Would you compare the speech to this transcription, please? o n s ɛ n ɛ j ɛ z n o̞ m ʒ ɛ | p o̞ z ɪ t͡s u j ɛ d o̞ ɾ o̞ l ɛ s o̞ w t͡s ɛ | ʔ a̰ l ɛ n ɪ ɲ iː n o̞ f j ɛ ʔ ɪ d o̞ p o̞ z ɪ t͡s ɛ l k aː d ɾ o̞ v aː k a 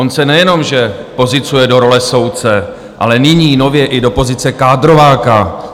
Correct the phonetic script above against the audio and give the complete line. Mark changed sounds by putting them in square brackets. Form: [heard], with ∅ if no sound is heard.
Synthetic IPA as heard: o n s ɛ n ɛ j ɛ [∅] n o̞ m ʒ ɛ | p o̞ z ɪ t͡s u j ɛ d o̞ ɾ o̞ l ɛ s o̞ w t͡s ɛ | ʔ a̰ l ɛ n ɪ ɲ iː n o̞ [v] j ɛ ʔ ɪ d o̞ p o̞ z ɪ t͡s ɛ [∅] k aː d ɾ o̞ v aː k a

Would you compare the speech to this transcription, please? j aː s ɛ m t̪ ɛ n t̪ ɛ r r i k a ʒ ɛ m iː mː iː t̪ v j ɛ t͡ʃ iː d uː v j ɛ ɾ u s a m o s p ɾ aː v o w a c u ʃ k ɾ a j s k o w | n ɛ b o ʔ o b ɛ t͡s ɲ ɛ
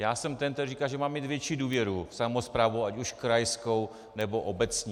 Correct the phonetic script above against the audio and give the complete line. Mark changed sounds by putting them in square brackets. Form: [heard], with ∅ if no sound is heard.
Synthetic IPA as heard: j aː s ɛ m t̪ ɛ n t̪ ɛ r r i k a ʒ ɛ m [aː] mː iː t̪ v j ɛ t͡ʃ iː d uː v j ɛ ɾ u s a m o s p ɾ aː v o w a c u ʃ k ɾ a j s k o w | n ɛ b o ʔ o b ɛ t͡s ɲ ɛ

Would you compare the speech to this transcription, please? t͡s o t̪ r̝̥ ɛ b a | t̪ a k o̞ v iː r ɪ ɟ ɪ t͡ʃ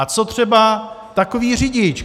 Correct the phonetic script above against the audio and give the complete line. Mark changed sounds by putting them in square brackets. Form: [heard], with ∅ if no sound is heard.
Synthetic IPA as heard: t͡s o t̪ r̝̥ ɛ b a | t̪ a k o̞ v iː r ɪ ɟ ɪ t͡ʃ

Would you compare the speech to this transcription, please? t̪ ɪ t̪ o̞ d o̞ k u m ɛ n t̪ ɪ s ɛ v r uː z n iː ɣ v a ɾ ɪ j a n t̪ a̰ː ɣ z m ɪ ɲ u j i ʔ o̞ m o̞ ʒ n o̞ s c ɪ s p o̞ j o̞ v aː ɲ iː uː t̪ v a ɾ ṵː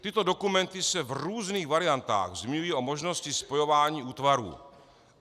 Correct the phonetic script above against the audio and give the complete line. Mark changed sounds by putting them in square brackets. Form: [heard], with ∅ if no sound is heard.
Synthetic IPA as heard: t̪ ɪ t̪ o̞ d o̞ k u m ɛ n t̪ ɪ s ɛ v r uː z n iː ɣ v a ɾ ɪ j a n t̪ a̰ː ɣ z m ɪ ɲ u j i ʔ o̞ m o̞ ʒ n o̞ s c ɪ s p o̞ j o̞ v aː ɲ iː uː t̪ v a ɾ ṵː

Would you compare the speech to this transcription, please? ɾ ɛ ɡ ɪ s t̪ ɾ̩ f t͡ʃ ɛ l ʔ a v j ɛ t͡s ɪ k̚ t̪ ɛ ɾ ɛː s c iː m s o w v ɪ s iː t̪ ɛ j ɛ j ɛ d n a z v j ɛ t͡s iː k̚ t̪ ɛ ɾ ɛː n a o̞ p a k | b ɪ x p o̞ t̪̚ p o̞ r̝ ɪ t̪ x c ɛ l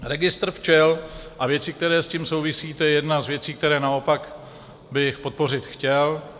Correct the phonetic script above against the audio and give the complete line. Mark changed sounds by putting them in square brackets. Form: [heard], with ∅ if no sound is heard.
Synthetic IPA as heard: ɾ ɛ ɡ ɪ s t̪ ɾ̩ f t͡ʃ ɛ l ʔ a v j ɛ t͡s ɪ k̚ t̪ ɛ ɾ ɛː s c iː m s o w v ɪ s iː t̪ ɛ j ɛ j ɛ d n a z v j ɛ t͡s iː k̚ t̪ ɛ ɾ ɛː n a o̞ p a k | b ɪ x p o̞ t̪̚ p o̞ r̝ ɪ t̪ x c ɛ l

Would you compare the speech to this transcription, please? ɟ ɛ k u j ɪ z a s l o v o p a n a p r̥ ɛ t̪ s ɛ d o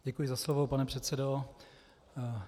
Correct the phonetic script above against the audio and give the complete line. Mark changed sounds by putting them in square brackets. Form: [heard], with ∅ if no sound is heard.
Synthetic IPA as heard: ɟ ɛ k u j ɪ z a s l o v o p a n [ɛ] p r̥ ɛ t̪ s ɛ d o

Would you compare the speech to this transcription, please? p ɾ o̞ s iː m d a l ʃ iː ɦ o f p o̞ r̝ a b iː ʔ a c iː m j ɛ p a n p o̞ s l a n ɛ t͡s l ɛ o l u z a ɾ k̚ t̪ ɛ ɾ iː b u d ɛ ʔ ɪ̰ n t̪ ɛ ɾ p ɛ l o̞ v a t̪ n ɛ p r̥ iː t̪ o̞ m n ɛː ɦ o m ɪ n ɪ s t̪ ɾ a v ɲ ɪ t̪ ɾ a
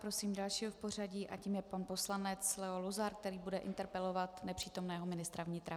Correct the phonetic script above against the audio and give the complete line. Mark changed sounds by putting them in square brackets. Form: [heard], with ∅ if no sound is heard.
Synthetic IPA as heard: p ɾ o̞ s iː m d a l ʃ iː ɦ o f p o̞ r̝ a [ɟ] iː ʔ a c iː m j ɛ p a n p o̞ s l a n ɛ t͡s l ɛ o l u z a ɾ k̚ t̪ ɛ ɾ iː b u d ɛ ʔ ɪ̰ n t̪ ɛ ɾ p ɛ l o̞ v a t̪ n ɛ p r̥ iː t̪ o̞ m n ɛː ɦ o m ɪ n ɪ s t̪ ɾ a v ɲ ɪ t̪ ɾ a

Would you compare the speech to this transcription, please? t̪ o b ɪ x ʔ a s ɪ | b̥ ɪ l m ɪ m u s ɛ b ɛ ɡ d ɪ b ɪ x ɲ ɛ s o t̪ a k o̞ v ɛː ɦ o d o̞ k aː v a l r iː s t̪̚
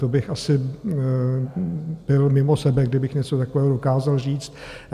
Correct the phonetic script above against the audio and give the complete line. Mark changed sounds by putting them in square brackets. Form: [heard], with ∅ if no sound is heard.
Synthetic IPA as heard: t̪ o b ɪ x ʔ a s ɪ | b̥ ɪ l m ɪ m [o] s ɛ b ɛ ɡ d ɪ b ɪ x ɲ ɛ [t͡s] o t̪ a k o̞ v ɛː ɦ o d o̞ k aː [z] a l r iː [t͡s] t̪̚

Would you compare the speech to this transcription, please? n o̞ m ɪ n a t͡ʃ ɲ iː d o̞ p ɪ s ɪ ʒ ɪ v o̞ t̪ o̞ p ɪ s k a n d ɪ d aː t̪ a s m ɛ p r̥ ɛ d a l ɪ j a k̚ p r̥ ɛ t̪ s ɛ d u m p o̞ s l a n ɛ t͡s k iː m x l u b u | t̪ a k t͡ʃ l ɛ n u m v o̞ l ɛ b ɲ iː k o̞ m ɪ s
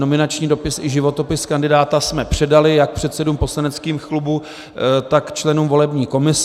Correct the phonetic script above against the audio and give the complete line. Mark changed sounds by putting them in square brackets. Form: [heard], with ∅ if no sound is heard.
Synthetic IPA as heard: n o̞ m ɪ n a t͡ʃ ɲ iː d o̞ p ɪ s ɪ ʒ ɪ v o̞ t̪ o̞ p ɪ s k a n d ɪ d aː t̪ a s m ɛ p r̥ ɛ d a l ɪ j a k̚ p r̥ ɛ t̪ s ɛ d u m p o̞ s l a n ɛ t͡s k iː m x l u b u | t̪ a k t͡ʃ l ɛ n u m v o̞ l ɛ b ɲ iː k o̞ m ɪ s

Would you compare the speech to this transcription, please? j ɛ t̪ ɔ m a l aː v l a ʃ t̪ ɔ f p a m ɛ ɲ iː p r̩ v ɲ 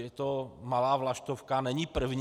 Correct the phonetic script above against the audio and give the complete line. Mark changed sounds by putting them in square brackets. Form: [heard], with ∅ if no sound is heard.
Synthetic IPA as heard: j ɛ t̪ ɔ m a l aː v l a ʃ t̪ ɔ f [k] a [n] ɛ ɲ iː p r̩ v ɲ

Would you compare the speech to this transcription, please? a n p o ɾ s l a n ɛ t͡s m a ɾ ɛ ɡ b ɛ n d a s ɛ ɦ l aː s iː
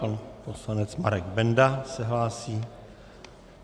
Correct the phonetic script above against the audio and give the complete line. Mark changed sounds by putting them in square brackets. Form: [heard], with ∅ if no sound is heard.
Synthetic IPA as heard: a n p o [∅] s l a n ɛ t͡s m a ɾ ɛ ɡ b ɛ n d a s ɛ ɦ l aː s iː

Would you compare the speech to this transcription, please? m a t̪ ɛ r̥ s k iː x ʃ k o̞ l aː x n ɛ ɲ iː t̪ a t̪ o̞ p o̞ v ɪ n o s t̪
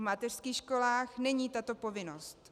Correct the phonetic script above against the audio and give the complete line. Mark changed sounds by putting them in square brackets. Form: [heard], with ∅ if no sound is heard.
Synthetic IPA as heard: m a t̪ ɛ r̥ s k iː x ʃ k o̞ l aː x n ɛ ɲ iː t̪ a t̪ o̞ p o̞ v ɪ n o s t̪

